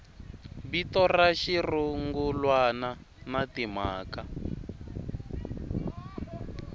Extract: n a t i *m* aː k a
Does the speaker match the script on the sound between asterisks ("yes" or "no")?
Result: yes